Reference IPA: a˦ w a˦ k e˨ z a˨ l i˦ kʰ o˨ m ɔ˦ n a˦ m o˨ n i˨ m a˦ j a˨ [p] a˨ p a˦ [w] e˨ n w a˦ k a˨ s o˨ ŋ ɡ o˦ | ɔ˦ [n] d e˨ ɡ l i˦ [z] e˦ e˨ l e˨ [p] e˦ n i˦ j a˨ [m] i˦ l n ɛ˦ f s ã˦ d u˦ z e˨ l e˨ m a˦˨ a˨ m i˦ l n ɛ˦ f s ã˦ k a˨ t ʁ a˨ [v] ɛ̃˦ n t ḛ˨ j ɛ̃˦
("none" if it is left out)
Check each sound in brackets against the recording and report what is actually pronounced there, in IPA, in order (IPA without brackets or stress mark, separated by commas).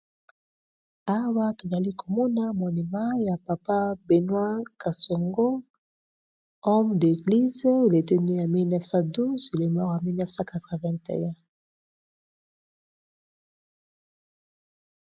p, b, m, z, t, m, v